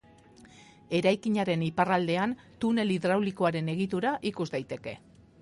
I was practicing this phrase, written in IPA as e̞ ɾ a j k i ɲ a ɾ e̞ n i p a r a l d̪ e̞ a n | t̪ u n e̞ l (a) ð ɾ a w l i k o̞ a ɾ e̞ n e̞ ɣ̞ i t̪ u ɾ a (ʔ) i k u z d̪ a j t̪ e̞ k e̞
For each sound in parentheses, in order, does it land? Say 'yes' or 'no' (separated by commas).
no, yes